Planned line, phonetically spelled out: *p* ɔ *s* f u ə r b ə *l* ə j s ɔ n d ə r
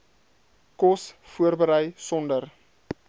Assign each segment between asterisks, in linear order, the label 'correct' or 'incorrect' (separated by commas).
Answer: incorrect, correct, incorrect